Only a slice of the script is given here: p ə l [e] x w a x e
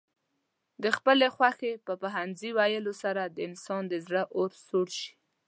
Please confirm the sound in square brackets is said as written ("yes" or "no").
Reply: yes